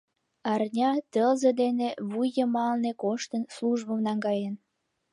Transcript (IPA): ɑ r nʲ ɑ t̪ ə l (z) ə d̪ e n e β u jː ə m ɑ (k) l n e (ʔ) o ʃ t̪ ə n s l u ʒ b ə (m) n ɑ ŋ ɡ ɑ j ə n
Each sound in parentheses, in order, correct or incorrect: correct, incorrect: none, incorrect: k, correct

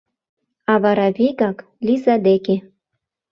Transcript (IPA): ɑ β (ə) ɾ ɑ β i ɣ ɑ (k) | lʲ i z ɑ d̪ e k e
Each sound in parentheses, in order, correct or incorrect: incorrect: ɑ, correct

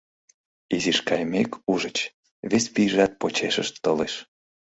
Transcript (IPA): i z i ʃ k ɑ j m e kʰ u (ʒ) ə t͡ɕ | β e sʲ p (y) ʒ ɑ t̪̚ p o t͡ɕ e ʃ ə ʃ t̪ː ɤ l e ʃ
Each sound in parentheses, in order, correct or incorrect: correct, incorrect: i

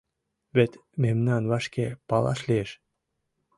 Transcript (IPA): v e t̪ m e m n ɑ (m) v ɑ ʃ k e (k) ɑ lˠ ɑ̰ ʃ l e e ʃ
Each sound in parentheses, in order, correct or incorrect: incorrect: n, incorrect: p

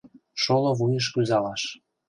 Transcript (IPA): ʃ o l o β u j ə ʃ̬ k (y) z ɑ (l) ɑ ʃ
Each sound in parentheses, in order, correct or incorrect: correct, correct

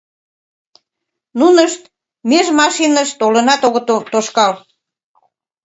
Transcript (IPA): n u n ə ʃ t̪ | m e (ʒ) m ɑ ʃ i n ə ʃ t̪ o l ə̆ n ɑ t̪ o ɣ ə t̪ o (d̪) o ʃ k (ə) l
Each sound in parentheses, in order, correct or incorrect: correct, incorrect: t̪, incorrect: ɑ

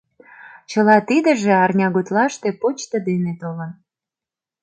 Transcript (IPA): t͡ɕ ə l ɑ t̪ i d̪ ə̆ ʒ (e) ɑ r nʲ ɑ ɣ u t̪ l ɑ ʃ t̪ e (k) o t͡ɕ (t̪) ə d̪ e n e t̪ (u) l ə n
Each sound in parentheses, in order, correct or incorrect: correct, incorrect: p, correct, incorrect: o

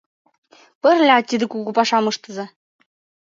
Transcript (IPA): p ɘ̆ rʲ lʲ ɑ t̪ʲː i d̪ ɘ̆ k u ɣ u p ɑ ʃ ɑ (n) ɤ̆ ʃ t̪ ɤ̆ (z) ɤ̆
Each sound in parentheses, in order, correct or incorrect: incorrect: m, correct

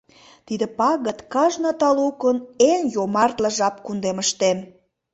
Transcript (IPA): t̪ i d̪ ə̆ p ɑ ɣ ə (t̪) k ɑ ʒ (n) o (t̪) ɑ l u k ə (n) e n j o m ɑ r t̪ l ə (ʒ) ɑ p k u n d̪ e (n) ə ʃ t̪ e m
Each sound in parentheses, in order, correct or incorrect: correct, correct, correct, correct, correct, incorrect: m

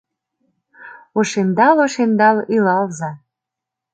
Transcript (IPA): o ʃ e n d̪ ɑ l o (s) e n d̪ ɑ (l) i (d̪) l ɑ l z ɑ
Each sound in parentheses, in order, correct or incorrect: incorrect: ʃ, correct, incorrect: none

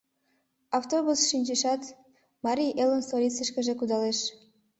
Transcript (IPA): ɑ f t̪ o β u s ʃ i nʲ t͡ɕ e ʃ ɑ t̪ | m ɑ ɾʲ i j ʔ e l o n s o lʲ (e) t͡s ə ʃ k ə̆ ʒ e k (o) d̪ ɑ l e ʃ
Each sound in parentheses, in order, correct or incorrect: incorrect: i, incorrect: u

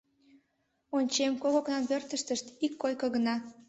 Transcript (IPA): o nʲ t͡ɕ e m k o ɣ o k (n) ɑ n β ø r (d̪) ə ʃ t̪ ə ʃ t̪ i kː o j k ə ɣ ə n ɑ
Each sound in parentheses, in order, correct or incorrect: correct, incorrect: t̪

